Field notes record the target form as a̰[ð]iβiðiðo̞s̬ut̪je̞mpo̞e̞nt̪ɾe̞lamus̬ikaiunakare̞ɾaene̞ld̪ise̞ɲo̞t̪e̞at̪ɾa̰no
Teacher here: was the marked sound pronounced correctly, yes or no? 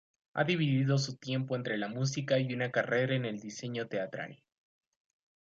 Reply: yes